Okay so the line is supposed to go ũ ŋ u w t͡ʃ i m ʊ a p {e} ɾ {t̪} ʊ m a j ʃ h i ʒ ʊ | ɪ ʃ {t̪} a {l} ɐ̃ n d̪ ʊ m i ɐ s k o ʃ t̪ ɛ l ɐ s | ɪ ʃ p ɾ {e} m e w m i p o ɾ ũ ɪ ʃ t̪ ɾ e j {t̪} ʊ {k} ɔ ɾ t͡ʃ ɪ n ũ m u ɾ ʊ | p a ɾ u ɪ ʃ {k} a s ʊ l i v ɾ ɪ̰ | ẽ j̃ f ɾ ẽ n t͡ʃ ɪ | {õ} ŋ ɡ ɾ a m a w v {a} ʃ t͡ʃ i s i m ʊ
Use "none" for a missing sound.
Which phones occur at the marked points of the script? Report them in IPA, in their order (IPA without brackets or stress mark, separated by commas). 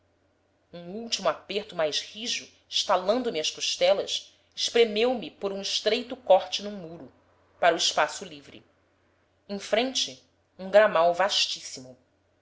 e, t̪, t̪, l, e, t̪, k, p, ũ, a